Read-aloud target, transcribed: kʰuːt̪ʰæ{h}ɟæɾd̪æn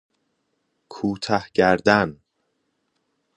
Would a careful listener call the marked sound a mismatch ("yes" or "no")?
no